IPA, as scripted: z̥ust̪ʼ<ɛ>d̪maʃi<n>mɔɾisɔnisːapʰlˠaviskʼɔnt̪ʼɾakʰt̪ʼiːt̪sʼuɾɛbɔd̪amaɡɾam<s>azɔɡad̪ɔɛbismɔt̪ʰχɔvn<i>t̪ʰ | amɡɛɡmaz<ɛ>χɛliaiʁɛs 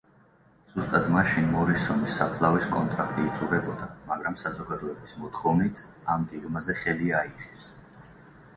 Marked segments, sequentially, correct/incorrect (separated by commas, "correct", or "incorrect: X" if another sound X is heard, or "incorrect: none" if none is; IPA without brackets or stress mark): incorrect: a, correct, correct, correct, correct